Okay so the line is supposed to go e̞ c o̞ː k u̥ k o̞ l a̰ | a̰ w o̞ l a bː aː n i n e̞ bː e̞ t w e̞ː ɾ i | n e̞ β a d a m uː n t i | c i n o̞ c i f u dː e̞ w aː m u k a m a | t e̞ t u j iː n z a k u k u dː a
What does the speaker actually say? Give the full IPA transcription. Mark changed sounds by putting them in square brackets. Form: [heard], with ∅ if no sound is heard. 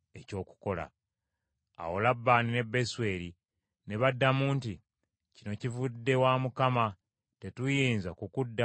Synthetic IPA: e̞ c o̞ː k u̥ k o̞ l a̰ | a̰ w o̞ l a bː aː n i n e̞ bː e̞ [s] w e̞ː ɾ i | n e̞ β a [dː] a m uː n t i | c i n o̞ c i [v] u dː e̞ w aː m u k a m a | t e̞ t u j iː n z a k u k u dː a